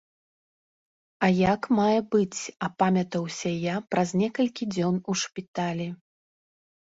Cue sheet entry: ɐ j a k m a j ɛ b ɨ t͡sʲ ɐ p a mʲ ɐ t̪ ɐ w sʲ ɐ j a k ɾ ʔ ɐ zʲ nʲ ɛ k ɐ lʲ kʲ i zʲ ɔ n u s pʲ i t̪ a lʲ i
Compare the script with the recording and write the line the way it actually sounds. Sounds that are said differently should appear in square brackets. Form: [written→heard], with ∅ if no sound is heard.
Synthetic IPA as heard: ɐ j a k m a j ɛ b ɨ t͡sʲ ɐ p a mʲ ɐ t̪ ɐ w sʲ ɐ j a [k→p] ɾ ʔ ɐ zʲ nʲ ɛ k ɐ lʲ kʲ i [zʲ→d͡zʲ] ɔ n u [s→ʂ] pʲ i t̪ a lʲ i